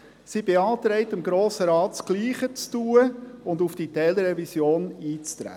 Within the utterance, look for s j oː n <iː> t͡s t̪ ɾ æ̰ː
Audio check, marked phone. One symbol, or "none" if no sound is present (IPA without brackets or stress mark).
iː